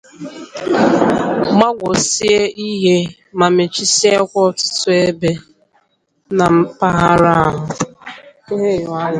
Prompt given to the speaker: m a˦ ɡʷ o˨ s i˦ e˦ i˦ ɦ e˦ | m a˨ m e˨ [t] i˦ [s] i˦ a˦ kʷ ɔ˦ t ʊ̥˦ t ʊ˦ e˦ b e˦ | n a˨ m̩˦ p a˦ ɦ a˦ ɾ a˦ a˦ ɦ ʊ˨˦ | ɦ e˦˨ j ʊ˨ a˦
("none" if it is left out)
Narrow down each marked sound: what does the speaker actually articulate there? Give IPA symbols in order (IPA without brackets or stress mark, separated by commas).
t͡ʃ, s